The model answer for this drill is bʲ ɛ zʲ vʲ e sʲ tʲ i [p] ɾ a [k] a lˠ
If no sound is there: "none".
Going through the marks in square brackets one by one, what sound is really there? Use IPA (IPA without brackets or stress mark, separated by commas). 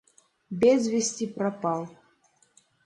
p, p